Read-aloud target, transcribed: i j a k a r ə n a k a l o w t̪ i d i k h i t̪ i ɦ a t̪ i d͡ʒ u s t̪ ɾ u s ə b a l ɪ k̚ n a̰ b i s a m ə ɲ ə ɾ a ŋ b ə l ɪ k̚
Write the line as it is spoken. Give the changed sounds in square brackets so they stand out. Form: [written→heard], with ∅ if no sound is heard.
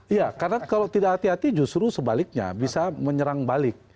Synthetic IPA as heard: i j a k a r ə n a k a l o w t̪ i d [i→a] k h [i→a] t̪ i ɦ a t̪ i d͡ʒ u s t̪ ɾ u s ə b a l ɪ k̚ [n→ɲ] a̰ b i s a m ə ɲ ə ɾ a ŋ b [ə→a] l ɪ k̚